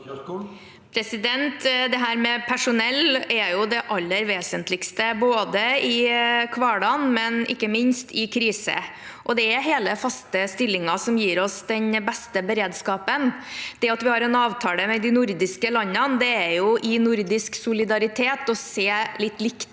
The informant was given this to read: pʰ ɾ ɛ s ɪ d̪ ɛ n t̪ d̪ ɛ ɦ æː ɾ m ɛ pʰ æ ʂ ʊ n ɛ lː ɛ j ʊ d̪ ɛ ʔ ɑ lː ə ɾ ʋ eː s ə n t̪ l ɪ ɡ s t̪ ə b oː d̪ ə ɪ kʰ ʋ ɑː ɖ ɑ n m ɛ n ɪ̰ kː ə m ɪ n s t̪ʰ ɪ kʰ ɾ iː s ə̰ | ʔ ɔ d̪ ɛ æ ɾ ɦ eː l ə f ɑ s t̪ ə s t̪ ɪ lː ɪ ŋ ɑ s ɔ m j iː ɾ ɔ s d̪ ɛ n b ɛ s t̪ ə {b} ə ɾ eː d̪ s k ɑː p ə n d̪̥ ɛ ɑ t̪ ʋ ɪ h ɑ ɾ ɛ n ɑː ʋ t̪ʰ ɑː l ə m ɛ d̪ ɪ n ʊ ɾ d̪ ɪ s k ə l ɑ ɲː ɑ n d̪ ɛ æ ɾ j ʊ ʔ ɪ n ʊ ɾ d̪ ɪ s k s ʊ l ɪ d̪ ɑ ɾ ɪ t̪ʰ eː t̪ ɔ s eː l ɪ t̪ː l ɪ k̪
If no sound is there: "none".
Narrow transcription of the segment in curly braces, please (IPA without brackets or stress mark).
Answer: b